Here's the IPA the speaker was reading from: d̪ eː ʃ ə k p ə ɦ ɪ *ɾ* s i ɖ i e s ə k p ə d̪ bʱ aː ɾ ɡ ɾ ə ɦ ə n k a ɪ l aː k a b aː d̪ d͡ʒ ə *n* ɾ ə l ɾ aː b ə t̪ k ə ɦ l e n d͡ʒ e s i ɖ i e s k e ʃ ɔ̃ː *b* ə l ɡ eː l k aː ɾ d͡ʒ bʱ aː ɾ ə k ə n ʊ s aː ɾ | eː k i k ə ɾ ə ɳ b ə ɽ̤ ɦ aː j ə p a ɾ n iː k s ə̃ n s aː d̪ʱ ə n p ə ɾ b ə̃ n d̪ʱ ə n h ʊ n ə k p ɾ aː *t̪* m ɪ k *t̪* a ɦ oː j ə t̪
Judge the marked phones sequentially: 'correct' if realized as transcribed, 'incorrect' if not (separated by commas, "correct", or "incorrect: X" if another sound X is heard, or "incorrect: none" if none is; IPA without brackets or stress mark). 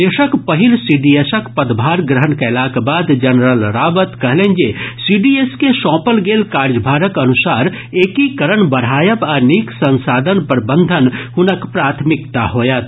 incorrect: l, correct, incorrect: p, incorrect: t̪ʰ, correct